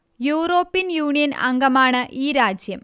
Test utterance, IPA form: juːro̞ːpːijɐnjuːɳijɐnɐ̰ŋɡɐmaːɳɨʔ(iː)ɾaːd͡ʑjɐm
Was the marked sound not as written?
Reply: no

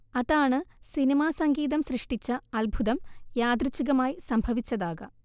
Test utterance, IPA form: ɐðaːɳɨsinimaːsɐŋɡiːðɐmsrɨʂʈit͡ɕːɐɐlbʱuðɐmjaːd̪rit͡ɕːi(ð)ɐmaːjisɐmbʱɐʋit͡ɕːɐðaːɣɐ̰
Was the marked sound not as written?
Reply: yes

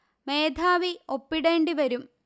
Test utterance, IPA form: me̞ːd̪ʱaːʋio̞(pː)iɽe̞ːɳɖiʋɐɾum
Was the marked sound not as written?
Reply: no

